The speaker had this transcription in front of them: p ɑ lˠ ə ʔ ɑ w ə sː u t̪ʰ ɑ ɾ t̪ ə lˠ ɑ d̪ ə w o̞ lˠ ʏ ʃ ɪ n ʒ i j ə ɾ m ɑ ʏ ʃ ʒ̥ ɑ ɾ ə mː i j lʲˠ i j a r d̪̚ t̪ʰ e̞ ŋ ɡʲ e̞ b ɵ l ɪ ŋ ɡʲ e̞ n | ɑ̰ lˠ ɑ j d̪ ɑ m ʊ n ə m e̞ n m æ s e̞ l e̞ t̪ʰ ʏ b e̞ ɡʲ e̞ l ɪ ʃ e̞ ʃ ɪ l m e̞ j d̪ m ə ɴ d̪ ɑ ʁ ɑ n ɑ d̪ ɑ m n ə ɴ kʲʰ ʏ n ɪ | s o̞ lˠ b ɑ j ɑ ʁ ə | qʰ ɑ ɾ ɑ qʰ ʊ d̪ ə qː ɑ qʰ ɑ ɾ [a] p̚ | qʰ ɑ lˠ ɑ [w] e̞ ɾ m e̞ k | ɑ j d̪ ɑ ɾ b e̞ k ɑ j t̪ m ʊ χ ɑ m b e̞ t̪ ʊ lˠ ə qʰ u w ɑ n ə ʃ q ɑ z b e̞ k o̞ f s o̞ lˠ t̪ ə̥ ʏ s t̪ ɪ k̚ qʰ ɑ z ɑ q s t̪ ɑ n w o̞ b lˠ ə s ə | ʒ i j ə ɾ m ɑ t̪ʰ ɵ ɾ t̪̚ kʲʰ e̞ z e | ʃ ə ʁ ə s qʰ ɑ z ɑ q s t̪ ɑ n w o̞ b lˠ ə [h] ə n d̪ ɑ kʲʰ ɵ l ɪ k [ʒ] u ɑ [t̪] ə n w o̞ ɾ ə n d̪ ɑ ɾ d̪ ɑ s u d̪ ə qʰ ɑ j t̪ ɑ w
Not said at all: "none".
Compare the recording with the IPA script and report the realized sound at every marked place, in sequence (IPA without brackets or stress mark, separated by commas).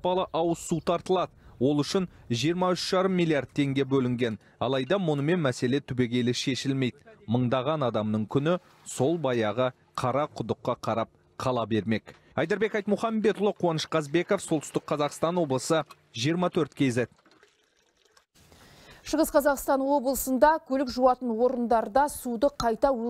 ɑ, b, s, ʒ, t̪